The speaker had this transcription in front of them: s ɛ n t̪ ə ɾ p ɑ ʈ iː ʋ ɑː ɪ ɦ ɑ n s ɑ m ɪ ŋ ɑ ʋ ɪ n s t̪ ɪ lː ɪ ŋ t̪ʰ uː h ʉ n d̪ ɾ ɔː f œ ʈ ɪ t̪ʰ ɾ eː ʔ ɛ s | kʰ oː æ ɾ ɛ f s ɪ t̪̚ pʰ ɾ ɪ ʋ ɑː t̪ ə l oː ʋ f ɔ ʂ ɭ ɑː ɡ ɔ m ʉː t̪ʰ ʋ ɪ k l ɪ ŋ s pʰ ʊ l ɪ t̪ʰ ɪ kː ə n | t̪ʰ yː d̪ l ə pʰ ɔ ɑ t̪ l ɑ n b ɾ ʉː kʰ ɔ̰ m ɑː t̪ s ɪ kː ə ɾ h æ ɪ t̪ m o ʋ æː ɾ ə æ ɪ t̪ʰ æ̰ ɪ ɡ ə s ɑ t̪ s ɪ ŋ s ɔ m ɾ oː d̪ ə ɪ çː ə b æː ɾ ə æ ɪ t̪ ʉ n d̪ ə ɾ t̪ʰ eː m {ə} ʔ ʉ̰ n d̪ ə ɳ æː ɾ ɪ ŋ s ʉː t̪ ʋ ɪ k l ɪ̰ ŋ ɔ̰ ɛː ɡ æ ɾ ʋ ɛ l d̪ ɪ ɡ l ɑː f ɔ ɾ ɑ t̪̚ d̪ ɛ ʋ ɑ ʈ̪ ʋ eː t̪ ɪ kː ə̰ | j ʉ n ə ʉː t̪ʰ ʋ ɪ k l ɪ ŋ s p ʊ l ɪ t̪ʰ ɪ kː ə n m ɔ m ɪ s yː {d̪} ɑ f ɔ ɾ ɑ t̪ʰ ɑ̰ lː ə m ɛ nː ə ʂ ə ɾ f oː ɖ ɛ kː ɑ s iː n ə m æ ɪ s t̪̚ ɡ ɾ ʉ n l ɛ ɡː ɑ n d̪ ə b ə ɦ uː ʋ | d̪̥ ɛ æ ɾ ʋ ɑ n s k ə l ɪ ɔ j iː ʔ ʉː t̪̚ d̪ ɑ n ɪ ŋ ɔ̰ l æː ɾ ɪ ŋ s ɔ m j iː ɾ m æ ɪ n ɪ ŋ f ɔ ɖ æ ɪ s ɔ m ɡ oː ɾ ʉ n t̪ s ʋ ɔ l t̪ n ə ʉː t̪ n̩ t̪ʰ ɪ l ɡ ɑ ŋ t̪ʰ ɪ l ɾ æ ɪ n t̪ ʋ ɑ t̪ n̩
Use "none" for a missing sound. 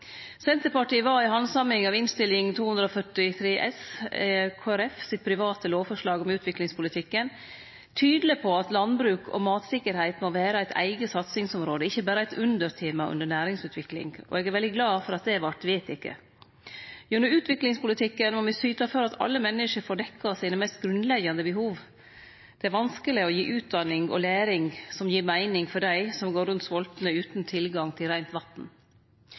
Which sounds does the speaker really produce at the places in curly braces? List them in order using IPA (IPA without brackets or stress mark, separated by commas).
ɑ, t̪